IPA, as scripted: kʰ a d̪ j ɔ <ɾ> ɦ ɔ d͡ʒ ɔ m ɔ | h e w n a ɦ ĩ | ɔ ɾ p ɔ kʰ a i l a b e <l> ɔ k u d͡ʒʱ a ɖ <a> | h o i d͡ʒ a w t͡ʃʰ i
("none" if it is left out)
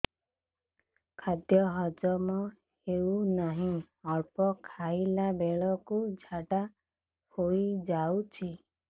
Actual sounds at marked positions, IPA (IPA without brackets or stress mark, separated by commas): none, ɭ, a